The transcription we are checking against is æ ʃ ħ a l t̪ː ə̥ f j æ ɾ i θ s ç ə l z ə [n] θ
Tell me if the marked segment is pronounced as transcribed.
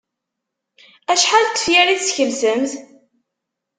no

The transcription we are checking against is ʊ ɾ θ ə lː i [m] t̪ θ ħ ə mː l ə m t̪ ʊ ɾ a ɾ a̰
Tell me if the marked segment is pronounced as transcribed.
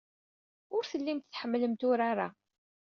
yes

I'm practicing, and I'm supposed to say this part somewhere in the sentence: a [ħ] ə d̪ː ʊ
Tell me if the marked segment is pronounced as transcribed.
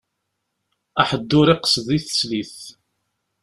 yes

